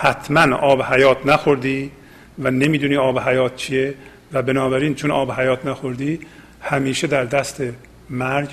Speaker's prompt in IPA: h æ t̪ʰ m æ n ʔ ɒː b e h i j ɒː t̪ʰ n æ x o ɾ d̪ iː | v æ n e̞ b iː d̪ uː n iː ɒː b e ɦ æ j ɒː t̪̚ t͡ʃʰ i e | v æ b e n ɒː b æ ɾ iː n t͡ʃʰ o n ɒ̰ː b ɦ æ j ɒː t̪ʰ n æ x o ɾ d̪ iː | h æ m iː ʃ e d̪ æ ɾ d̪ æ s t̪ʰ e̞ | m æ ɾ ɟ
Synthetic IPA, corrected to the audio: h æ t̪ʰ m æ n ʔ ɒː b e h æ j ɒː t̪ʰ n æ x o ɾ d̪ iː | v æ n e̞ m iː d̪ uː n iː ɒː b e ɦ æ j ɒː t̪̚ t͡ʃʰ i e | v æ b e n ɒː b æ ɾ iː n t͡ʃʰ o n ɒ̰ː b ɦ æ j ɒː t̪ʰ n æ x o ɾ d̪ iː | h æ m iː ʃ e d̪ æ ɾ d̪ æ s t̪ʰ e̞ | m æ ɾ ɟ